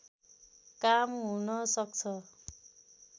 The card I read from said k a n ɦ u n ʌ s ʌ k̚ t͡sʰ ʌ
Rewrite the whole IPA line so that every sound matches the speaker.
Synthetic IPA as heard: k a m ɦ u n ʌ s ʌ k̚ t͡sʰ ʌ